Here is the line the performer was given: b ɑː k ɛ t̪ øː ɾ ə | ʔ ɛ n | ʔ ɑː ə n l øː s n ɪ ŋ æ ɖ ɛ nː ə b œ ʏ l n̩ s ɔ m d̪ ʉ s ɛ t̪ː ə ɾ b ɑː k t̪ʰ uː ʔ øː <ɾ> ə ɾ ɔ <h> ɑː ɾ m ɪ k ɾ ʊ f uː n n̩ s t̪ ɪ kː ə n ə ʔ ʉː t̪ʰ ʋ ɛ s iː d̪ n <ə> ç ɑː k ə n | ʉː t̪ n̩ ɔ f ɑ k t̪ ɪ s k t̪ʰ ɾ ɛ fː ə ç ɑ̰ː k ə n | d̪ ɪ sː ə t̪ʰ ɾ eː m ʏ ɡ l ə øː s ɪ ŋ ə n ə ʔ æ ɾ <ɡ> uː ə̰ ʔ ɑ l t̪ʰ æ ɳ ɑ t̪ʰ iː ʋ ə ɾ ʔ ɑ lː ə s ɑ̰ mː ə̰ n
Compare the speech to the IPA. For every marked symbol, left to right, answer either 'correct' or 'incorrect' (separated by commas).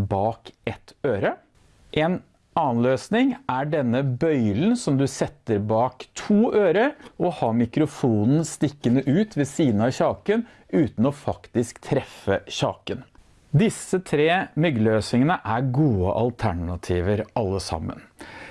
correct, correct, incorrect, correct